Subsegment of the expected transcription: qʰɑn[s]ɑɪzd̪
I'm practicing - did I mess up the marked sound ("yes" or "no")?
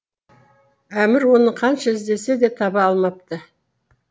yes